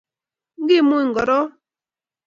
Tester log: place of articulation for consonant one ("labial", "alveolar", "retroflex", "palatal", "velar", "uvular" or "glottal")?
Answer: velar